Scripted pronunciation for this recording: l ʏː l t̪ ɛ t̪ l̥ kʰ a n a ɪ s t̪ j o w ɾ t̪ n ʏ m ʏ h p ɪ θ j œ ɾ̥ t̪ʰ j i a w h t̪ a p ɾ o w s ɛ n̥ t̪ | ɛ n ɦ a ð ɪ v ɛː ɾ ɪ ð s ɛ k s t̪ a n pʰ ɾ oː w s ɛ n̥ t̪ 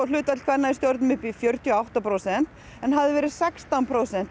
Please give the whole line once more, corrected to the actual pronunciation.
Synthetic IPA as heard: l ʏː t̪ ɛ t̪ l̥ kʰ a n a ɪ s t̪ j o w ɾ t̪ n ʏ m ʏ h p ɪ f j œ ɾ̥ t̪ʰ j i a w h t̪ a p ɾ o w s ɛ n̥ t̪ | ɛ n ɦ a ð ɪ v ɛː ɾ ɪ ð s ɛ k s t̪ a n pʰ ɾ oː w s ɛ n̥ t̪